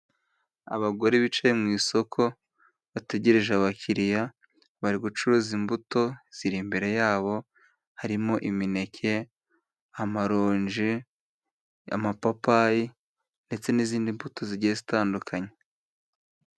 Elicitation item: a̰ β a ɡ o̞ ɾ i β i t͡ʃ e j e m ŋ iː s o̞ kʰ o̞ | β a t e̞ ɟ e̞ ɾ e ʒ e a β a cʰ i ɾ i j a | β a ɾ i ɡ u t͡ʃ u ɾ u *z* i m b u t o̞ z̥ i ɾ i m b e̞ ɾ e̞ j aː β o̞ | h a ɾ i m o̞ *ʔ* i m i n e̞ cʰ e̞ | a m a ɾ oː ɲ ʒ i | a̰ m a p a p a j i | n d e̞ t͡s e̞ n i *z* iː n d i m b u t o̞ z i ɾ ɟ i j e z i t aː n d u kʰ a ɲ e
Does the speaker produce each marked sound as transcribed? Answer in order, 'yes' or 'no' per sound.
yes, yes, yes

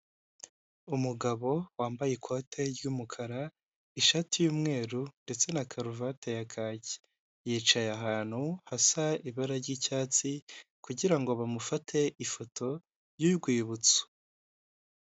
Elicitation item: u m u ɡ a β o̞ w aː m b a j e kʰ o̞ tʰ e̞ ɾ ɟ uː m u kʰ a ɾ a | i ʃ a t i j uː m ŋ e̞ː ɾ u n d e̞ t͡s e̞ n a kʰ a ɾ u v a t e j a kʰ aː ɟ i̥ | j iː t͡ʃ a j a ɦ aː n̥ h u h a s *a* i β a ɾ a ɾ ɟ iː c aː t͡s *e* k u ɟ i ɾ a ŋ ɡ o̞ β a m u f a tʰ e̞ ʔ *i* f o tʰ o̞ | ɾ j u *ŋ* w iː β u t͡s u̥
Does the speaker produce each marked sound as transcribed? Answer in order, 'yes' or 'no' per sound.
yes, no, yes, no

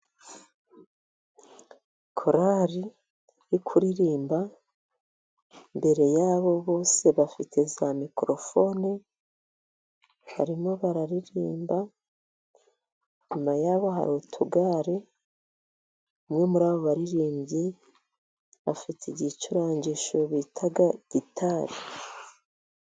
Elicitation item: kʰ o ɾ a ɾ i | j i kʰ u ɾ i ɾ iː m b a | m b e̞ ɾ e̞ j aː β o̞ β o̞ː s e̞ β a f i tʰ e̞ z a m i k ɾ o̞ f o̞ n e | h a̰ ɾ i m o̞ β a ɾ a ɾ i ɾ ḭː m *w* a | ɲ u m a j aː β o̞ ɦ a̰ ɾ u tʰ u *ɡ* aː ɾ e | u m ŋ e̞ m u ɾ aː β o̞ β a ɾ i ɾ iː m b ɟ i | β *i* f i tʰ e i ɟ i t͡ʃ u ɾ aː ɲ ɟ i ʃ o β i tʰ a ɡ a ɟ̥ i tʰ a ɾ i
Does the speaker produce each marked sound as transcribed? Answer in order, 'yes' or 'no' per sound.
no, yes, no

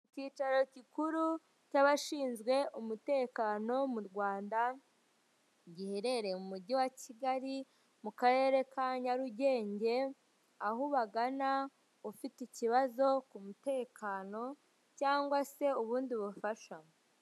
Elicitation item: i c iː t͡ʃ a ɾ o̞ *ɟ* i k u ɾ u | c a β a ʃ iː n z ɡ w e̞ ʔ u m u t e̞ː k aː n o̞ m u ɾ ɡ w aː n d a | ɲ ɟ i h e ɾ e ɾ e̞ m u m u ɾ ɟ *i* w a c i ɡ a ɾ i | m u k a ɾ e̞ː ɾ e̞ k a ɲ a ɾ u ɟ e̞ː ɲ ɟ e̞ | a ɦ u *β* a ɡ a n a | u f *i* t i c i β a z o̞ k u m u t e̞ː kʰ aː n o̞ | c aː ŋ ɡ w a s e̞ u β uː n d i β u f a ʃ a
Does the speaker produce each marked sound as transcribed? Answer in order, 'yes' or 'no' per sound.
no, yes, yes, yes

